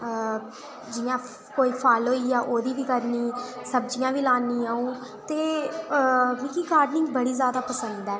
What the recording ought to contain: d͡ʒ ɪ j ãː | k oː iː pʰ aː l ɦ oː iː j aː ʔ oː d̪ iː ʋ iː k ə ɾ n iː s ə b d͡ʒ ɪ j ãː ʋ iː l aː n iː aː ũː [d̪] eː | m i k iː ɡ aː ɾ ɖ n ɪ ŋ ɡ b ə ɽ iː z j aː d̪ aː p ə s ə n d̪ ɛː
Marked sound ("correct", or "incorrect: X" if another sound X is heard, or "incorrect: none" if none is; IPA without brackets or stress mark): incorrect: t̪